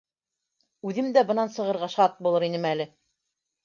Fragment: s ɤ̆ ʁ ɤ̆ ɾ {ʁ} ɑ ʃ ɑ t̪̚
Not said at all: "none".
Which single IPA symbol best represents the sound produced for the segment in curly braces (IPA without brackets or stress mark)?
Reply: ʁ